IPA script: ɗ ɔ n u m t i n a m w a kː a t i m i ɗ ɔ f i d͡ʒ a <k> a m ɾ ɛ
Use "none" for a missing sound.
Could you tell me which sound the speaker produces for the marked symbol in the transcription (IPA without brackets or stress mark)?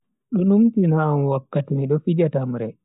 t